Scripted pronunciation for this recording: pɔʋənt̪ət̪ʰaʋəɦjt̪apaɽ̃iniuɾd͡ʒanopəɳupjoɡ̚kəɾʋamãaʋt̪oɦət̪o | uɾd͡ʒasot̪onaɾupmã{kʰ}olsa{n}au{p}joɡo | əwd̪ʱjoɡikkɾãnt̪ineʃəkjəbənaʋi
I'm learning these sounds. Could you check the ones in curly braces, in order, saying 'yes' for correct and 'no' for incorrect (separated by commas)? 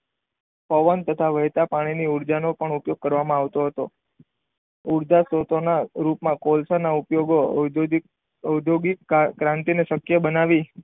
no, yes, yes